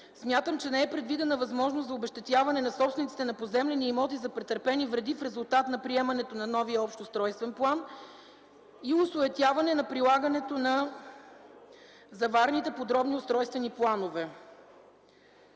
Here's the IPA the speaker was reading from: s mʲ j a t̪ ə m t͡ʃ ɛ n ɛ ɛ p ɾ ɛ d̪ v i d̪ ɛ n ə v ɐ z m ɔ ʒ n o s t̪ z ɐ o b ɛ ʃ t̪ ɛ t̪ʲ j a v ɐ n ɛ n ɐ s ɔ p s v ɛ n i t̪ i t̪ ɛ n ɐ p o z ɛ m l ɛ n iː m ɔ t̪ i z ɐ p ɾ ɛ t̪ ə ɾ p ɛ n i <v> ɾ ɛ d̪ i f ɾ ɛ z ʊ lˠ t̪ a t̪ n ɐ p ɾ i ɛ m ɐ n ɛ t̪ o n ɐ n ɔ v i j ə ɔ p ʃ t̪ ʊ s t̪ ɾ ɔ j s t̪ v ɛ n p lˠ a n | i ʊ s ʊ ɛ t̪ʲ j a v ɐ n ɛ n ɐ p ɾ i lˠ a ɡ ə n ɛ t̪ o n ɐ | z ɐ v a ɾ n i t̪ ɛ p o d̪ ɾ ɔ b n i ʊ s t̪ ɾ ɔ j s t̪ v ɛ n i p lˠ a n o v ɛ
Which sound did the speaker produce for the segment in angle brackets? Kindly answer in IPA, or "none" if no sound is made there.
v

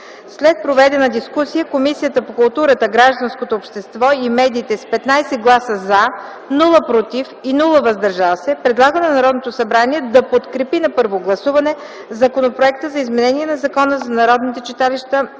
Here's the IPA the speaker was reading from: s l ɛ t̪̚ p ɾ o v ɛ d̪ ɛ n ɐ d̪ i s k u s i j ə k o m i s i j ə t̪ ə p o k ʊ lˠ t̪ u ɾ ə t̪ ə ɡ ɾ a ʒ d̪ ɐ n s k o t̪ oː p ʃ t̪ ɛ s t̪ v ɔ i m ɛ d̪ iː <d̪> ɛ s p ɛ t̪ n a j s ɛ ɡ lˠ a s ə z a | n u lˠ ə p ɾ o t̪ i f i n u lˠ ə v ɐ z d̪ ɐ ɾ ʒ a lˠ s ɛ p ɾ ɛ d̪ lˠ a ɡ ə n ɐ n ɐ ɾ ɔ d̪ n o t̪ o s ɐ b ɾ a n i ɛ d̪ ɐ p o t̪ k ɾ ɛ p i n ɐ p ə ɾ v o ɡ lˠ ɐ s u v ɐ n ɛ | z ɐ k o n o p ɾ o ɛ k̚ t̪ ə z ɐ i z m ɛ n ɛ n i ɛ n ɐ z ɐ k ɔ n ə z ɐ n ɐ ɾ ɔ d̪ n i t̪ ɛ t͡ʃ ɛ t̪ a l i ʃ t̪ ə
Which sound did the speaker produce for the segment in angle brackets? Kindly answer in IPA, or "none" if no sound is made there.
t̪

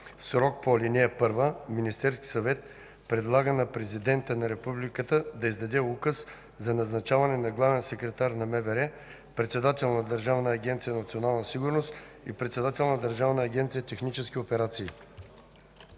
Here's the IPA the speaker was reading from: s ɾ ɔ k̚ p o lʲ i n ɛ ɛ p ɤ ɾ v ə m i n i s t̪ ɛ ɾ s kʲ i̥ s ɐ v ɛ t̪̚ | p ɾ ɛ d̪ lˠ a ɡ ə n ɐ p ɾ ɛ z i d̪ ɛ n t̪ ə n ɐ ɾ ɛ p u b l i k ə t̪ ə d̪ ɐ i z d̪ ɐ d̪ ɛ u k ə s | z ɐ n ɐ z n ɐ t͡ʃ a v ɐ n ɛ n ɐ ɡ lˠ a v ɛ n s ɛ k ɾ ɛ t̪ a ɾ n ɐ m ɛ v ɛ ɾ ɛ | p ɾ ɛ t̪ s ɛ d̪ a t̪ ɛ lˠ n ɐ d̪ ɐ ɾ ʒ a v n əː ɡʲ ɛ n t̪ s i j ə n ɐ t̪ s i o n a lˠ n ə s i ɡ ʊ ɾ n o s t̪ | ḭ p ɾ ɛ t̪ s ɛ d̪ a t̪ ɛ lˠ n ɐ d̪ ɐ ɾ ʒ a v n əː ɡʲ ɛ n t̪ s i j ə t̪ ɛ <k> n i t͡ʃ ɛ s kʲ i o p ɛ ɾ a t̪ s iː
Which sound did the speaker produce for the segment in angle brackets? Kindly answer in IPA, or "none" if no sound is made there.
x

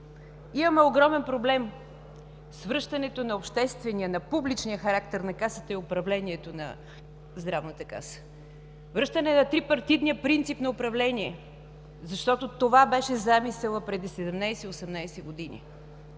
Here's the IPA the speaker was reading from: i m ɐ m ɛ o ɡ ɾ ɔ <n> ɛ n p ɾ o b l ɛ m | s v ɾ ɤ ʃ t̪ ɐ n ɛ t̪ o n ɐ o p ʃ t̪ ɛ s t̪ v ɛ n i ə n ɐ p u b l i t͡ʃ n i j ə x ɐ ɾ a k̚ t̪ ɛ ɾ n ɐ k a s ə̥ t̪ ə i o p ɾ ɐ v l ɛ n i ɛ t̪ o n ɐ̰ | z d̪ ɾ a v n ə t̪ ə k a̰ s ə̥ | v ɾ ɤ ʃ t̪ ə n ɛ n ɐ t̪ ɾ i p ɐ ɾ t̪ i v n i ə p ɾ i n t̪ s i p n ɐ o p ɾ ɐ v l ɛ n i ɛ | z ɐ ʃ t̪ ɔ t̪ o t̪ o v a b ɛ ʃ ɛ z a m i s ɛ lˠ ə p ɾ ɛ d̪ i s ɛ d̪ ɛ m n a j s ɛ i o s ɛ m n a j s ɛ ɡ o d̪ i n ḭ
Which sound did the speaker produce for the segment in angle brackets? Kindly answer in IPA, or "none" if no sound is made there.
m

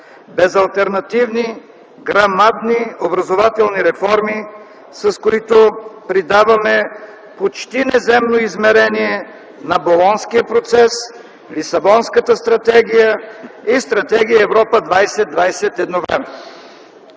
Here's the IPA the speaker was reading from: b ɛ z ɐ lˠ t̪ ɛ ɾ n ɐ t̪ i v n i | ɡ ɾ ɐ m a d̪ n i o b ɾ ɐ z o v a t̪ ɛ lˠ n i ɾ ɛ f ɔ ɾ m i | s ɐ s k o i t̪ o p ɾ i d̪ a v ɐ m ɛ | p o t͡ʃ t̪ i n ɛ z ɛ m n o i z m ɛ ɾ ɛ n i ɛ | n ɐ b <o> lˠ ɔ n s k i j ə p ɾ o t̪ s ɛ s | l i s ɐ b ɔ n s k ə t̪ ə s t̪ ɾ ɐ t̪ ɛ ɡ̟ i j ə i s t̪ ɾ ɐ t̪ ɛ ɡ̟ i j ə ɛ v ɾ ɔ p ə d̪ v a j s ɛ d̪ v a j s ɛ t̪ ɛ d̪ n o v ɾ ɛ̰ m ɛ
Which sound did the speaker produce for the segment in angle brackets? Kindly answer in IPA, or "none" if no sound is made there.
o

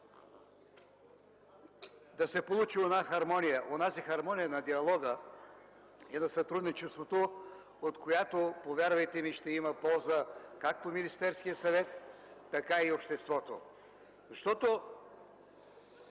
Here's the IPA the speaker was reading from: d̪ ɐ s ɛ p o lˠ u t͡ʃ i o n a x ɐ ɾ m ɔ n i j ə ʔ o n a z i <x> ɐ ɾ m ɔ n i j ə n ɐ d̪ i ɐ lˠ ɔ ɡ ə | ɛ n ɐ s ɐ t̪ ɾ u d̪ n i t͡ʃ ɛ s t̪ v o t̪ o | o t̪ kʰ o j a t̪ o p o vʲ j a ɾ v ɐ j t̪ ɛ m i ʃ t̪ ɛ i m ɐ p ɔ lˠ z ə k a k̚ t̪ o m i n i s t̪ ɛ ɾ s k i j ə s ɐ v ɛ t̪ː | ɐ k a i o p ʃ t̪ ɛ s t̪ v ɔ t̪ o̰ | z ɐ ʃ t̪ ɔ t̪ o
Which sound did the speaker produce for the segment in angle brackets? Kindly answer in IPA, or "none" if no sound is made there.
x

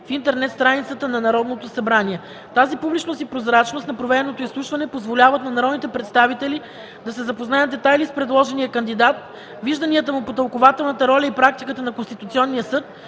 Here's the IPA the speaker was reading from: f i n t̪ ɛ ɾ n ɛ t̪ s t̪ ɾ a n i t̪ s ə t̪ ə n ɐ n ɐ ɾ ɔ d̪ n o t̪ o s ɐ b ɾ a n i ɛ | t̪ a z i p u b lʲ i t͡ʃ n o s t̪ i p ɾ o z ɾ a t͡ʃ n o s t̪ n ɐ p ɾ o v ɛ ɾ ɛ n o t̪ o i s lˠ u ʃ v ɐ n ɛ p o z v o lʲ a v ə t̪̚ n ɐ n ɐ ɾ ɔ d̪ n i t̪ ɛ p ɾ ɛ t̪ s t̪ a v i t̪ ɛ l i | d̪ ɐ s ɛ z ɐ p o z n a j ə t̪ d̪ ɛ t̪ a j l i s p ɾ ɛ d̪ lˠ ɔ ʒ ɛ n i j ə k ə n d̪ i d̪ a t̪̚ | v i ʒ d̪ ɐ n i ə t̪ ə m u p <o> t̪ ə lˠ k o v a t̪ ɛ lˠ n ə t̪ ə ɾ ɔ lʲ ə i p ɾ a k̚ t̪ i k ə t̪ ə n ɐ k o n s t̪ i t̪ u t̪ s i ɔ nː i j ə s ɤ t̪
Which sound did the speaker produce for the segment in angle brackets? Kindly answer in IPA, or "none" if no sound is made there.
o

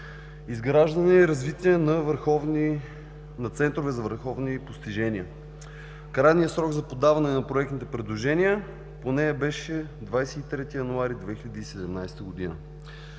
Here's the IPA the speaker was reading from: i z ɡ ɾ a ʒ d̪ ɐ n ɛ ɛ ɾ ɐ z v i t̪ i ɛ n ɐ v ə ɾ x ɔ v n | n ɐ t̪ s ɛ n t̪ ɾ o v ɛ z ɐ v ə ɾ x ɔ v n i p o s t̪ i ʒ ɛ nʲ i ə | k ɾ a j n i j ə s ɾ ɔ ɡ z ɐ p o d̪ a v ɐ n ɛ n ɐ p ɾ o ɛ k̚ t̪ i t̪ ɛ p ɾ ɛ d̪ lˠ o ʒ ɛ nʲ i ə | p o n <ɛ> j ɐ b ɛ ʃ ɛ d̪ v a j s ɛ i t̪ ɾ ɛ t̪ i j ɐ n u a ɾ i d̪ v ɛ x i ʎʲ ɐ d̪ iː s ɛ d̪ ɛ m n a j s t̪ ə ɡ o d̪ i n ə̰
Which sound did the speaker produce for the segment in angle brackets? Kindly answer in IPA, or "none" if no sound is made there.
ɛ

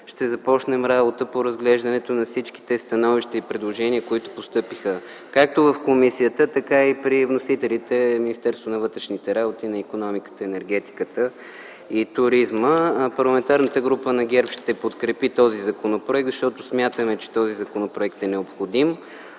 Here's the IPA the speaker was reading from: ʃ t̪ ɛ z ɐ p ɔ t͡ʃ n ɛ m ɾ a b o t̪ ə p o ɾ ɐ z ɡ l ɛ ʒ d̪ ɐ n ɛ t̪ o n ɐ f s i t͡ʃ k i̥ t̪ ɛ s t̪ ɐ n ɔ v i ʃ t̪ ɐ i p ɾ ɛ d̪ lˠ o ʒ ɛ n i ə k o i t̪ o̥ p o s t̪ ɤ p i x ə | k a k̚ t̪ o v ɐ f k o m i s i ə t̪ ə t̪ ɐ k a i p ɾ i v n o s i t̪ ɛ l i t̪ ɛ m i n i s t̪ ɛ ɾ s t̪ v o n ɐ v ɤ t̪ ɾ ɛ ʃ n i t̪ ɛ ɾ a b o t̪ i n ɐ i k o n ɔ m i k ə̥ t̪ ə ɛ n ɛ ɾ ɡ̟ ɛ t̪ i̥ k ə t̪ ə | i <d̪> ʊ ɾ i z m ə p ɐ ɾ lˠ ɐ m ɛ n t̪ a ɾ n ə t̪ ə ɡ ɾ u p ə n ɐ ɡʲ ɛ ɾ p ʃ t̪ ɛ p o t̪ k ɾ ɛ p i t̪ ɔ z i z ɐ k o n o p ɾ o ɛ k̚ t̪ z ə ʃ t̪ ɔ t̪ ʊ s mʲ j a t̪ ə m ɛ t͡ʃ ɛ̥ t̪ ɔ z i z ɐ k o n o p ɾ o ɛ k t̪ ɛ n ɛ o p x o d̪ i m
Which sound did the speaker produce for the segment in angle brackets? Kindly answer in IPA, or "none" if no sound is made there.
t̪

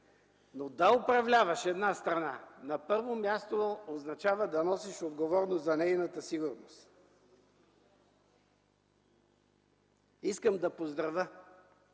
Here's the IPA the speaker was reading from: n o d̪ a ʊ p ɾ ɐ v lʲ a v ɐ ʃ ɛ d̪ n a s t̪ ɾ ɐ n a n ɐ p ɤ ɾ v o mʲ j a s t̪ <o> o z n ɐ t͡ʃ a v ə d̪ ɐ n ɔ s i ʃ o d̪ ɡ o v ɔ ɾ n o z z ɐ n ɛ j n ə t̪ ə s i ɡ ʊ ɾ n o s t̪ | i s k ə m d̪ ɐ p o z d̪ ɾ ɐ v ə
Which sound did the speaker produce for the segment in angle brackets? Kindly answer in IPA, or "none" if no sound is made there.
o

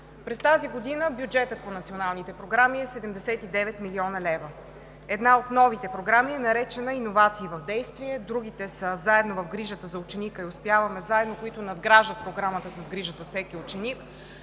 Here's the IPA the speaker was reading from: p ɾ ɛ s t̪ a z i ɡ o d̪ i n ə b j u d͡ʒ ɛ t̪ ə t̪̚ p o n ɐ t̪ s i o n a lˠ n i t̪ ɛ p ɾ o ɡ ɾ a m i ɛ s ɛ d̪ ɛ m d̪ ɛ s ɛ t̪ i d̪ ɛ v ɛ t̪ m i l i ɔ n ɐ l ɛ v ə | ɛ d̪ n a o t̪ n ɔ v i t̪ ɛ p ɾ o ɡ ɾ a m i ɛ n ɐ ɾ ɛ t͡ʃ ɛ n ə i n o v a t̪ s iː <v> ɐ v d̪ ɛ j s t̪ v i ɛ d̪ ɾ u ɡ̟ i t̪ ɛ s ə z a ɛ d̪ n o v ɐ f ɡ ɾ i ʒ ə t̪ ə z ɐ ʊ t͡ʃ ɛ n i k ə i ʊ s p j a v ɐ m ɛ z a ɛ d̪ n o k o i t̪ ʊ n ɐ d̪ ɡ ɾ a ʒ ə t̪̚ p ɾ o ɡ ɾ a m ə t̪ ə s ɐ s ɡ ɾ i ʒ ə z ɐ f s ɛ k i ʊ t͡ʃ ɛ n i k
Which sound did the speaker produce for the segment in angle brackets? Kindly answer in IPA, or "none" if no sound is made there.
v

